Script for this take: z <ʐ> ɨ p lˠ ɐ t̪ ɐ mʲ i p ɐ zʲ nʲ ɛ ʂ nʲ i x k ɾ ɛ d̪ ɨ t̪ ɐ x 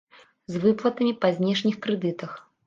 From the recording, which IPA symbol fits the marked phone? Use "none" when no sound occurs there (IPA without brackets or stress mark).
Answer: v